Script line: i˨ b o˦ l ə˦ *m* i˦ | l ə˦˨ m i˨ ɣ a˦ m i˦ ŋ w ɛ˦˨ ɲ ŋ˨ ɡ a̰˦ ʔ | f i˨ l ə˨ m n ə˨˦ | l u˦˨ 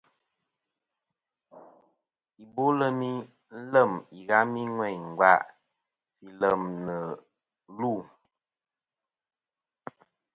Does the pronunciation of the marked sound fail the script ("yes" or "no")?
no